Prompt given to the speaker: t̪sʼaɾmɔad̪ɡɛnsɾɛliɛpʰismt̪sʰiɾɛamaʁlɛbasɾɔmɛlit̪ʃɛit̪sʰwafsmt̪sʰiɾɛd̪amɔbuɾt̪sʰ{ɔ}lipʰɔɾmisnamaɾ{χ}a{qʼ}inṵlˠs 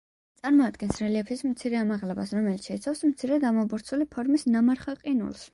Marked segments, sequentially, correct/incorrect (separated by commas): incorrect, correct, correct